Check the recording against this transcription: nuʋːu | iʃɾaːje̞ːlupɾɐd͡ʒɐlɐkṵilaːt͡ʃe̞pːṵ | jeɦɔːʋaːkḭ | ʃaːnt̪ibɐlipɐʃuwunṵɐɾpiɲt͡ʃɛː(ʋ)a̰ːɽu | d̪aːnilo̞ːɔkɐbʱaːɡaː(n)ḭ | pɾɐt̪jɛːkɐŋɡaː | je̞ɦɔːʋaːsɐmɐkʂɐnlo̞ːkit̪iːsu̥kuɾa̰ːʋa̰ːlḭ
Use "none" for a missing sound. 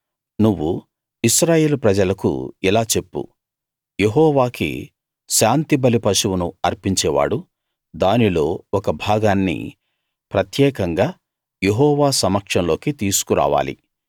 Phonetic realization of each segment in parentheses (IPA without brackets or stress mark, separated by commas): ʋ, nː